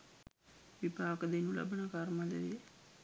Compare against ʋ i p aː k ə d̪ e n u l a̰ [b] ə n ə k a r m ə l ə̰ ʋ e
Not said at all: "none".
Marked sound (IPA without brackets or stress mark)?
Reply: b